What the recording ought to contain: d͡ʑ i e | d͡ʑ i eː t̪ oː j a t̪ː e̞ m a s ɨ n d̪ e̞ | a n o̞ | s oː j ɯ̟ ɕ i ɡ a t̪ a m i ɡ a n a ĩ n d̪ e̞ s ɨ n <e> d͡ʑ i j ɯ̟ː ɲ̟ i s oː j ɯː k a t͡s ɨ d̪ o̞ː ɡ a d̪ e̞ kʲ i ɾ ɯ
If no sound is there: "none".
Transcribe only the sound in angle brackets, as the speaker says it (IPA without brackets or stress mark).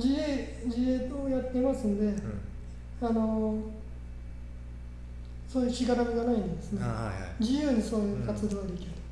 e